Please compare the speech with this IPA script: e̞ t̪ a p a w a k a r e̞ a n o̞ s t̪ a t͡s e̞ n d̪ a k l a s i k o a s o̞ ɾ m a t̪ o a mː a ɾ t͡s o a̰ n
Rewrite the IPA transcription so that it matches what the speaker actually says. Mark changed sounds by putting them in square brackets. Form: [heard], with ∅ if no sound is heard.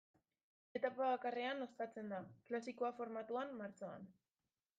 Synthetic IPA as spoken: e̞ t̪ a p a [β] a k a r e̞ a n o̞ s t̪ a t͡s e̞ n d̪ a k l a s i k o a [f] o̞ ɾ m a t̪ [u] a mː a ɾ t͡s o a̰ n